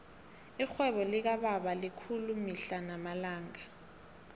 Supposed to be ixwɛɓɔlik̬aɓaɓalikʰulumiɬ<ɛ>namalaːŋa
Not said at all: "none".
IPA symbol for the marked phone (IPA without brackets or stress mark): a